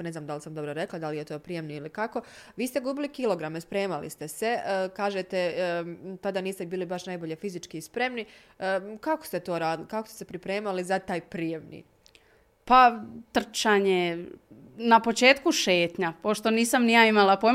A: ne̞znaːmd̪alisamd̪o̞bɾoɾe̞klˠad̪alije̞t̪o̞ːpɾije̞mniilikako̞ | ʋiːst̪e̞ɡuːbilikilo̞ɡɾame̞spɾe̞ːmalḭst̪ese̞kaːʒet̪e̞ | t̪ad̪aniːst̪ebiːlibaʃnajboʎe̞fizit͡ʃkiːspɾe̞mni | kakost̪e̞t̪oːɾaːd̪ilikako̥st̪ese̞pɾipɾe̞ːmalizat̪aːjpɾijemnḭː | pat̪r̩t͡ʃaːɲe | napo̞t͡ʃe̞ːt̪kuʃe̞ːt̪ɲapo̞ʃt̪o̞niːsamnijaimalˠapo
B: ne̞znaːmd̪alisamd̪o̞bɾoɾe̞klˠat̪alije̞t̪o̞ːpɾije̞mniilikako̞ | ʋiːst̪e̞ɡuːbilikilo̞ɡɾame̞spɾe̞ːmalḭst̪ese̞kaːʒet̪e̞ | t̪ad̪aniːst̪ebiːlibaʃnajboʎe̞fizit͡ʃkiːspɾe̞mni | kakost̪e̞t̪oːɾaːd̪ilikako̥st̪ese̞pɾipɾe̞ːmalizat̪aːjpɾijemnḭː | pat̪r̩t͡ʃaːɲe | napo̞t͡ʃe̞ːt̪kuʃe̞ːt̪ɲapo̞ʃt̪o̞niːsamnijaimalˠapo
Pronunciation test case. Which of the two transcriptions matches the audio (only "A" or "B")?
A